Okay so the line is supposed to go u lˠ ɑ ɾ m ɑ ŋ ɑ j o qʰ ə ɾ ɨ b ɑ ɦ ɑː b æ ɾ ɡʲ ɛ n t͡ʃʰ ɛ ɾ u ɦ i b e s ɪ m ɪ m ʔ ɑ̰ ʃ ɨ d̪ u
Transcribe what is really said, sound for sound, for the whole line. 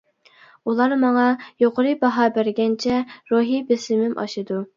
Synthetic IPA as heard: u lˠ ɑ ɾ m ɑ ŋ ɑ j o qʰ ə ɾ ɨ b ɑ ɦ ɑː b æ ɾ ɡʲ ɛ n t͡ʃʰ ɛ ɾ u ɦ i b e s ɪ m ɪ m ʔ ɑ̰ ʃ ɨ d̪ u